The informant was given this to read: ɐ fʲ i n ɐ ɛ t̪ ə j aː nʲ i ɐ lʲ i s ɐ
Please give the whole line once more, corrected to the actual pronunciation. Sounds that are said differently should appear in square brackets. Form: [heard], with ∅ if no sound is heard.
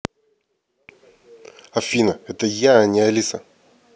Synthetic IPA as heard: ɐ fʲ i n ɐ ɛ t̪ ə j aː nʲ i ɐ lʲ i s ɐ